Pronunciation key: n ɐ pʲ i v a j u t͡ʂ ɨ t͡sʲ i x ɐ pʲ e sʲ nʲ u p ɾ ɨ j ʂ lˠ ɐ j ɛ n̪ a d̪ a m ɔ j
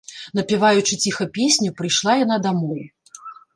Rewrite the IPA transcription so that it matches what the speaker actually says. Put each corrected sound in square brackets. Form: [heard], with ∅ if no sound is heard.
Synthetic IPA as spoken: n ɐ pʲ i v a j u t͡ʂ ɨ t͡sʲ i x ɐ pʲ e sʲ nʲ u p ɾ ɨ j ʂ lˠ [a] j [a] n̪ a d̪ a m ɔ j